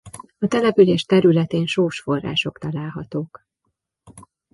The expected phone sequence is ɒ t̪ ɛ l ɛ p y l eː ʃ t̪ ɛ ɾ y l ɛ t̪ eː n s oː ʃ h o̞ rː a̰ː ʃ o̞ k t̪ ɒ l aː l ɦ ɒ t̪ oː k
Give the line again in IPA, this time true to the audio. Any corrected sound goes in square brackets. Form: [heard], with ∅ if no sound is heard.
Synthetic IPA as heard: ɒ t̪ ɛ l ɛ p y l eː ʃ t̪ ɛ ɾ y l ɛ t̪ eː n [ʃ] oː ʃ [f] o̞ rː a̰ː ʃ o̞ k t̪ ɒ l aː l ɦ ɒ t̪ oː k